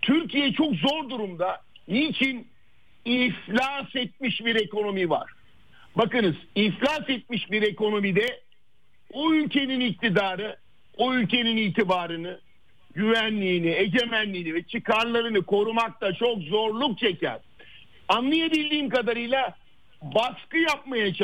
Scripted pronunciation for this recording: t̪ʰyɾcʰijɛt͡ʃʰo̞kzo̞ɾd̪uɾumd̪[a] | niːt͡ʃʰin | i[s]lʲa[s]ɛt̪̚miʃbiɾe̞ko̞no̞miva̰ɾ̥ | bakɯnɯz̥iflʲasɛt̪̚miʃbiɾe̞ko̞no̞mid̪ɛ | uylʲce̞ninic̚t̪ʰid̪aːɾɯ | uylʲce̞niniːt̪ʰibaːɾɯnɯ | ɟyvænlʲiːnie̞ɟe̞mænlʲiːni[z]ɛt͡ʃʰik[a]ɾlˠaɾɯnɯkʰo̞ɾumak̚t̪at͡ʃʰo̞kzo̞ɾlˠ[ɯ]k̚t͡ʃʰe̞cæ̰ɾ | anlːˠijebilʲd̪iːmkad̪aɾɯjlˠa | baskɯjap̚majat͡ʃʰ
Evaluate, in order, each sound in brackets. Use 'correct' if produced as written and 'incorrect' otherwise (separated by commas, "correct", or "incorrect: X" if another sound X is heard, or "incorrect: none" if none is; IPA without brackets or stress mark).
correct, incorrect: f, correct, incorrect: v, correct, incorrect: u